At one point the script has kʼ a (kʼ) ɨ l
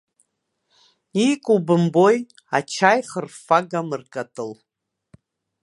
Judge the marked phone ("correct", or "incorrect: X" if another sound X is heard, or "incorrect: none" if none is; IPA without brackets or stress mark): incorrect: tʼ